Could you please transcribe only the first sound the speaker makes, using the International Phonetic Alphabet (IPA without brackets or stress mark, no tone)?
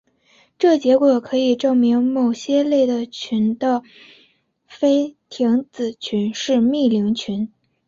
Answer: ʈ͡ʂ